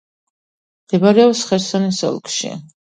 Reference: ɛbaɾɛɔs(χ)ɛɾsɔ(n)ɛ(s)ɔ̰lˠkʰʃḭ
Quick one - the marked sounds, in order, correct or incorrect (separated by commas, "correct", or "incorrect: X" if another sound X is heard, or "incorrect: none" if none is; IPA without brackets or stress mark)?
correct, correct, correct